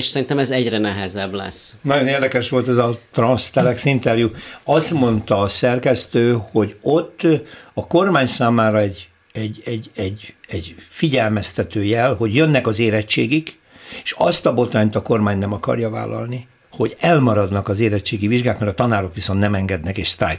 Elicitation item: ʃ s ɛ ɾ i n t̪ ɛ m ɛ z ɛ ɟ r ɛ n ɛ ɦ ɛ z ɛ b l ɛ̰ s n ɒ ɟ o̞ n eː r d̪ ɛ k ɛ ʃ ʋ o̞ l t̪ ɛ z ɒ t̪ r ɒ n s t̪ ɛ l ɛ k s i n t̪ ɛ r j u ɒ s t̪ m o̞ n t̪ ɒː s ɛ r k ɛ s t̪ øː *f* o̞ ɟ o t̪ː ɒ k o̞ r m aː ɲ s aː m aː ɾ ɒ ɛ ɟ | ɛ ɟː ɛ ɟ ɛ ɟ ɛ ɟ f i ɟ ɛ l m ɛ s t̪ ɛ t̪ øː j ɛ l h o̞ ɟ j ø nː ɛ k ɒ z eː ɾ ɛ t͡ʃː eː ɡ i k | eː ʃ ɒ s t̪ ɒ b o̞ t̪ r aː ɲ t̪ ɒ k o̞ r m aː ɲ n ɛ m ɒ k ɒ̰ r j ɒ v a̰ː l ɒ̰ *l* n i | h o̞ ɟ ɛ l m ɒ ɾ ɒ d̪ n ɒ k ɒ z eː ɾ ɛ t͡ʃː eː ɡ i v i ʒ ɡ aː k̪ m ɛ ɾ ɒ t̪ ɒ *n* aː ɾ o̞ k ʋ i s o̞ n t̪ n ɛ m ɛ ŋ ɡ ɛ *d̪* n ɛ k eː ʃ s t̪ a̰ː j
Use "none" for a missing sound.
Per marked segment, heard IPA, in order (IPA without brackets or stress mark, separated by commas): h, l, n, d̪